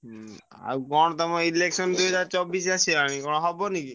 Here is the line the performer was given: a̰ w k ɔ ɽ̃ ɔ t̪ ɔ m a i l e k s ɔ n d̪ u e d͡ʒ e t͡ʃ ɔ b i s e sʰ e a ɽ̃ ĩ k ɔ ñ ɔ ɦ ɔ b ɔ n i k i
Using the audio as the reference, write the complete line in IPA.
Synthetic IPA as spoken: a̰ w k ɔ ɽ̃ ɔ t̪ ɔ m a i l e k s ɔ n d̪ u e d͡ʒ a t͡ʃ ɔ b i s a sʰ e a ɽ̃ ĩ k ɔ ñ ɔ ɦ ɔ b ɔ n i k i